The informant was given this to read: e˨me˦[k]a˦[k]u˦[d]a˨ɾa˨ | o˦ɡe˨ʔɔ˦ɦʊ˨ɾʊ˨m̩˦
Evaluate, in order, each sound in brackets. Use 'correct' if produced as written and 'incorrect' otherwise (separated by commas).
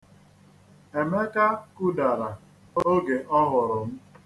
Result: correct, correct, correct